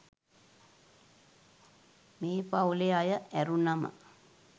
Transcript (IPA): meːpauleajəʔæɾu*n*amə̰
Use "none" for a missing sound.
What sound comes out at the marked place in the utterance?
n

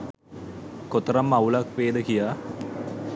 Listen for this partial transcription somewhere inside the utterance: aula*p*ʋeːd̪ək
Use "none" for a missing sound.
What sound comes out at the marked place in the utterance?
k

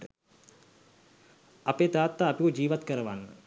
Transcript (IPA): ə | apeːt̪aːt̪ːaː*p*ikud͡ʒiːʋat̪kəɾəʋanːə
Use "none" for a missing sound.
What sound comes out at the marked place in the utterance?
p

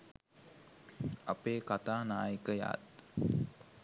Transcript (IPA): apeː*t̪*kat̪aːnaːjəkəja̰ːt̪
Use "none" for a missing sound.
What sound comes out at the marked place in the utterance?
none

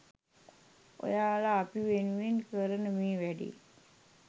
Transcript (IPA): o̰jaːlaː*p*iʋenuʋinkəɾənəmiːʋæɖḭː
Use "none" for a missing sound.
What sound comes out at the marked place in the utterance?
p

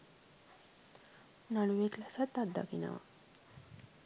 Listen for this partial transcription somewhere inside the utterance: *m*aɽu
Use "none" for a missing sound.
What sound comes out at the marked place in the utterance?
n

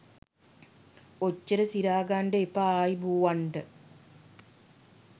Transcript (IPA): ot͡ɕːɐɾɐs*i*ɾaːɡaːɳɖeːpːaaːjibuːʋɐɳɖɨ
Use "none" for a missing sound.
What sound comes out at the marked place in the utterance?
i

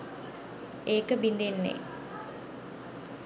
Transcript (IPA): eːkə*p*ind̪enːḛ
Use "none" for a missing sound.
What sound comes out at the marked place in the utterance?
b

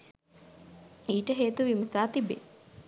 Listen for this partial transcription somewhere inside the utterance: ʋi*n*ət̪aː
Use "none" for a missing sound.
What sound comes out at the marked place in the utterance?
m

